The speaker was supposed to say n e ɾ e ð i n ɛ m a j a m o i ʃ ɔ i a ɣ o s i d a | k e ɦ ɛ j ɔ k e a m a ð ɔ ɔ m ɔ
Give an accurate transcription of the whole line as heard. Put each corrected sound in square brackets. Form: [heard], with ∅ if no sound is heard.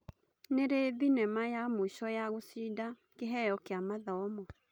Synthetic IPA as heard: n e ɾ e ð i n ɛ m a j a m o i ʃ ɔ [j] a ɣ o s i d a | k e ɦ ɛ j ɔ k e a m a ð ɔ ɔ m ɔ

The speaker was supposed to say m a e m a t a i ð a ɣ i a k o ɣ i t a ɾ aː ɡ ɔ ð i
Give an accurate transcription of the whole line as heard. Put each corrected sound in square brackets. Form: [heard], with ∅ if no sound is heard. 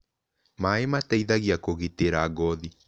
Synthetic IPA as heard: m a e m a t a i ð a ɣ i a k o ɣ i t [e] ɾ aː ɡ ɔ ð i

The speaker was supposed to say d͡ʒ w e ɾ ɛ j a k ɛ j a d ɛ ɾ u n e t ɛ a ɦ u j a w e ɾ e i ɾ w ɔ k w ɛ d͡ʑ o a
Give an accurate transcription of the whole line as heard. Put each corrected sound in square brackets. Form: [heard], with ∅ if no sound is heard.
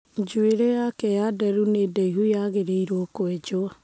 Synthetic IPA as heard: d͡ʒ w e ɾ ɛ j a k ɛ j a d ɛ ɾ u n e [d] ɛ [i] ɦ u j a [ɣ] e ɾ e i ɾ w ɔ k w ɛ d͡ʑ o a

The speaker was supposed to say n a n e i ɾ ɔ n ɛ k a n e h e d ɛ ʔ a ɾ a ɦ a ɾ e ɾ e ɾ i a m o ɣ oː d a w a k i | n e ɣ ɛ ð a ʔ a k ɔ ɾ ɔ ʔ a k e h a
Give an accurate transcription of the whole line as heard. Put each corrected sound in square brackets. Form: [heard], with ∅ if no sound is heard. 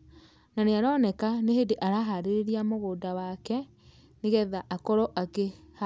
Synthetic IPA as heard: n a n e [a] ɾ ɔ n ɛ k a n e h e d [e] ʔ a ɾ a ɦ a ɾ e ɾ e ɾ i a m o ɣ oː d a w a k [ɛ] | n e ɣ ɛ ð a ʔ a k ɔ ɾ ɔ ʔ a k e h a

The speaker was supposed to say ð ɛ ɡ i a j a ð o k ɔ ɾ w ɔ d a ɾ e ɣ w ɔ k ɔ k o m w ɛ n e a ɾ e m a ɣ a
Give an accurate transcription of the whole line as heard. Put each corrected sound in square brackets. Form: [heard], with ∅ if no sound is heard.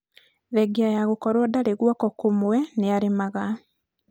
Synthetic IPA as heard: ð ɛ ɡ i a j a [ɣ] o k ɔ ɾ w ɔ d a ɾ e ɣ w ɔ k ɔ k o m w ɛ n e a ɾ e m a ɣ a

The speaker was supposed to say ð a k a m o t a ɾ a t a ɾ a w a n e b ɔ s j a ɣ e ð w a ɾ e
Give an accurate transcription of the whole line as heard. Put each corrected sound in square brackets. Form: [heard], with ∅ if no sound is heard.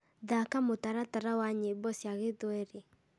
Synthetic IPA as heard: ð a k a m o t a ɾ a t a ɾ a w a [ɲ] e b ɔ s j a ɣ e ð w [ɛ] ɾ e

